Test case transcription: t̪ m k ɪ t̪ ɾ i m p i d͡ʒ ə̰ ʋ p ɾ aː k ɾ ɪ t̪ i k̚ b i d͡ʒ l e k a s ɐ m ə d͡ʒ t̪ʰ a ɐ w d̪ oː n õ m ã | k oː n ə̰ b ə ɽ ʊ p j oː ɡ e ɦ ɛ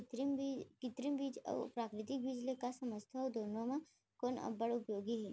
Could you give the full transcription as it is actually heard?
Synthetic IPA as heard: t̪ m k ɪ t̪ ɾ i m b i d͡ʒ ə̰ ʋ p ɾ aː k ɾ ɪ t̪ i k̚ b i d͡ʒ l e k a s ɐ m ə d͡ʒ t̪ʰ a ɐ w d̪ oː n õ m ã | k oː n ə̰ b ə ɽ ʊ p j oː ɡ i ɦ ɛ